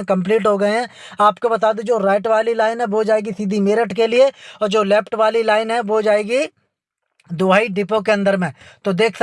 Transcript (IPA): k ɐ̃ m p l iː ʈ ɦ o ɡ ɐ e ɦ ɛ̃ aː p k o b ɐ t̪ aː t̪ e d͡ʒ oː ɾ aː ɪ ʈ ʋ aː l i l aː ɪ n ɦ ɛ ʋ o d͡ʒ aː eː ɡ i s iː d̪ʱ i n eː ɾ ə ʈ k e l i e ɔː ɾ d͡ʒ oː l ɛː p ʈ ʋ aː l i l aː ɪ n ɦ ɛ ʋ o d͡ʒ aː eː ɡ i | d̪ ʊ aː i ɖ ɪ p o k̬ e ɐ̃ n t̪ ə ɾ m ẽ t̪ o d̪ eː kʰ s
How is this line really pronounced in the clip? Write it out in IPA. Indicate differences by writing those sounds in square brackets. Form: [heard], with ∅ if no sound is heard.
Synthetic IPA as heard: k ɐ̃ m p l iː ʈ ɦ o ɡ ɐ e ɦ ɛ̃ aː p k o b ɐ t̪ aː [d̪] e d͡ʒ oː ɾ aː ɪ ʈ ʋ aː l i l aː ɪ n ɦ ɛ ʋ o d͡ʒ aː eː ɡ i s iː d̪ʱ i [m] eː ɾ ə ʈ k e l i e ɔː ɾ d͡ʒ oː l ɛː p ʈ ʋ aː l i l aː ɪ n ɦ ɛ ʋ o d͡ʒ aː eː ɡ i | d̪ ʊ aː i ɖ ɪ p o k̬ e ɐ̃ n [d̪] ə ɾ m ẽ t̪ o d̪ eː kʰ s